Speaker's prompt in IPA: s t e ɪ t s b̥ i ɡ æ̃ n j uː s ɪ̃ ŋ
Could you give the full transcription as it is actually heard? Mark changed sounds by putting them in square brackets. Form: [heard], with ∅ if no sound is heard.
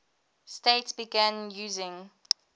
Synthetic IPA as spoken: s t e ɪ t s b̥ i ɡ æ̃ n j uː [z] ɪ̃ ŋ